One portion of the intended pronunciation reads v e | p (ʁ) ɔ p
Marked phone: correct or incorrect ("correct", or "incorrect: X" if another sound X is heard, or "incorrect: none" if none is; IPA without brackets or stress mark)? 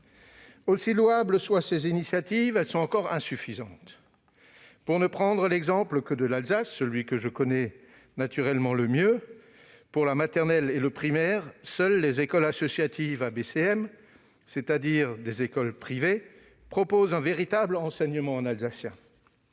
incorrect: χ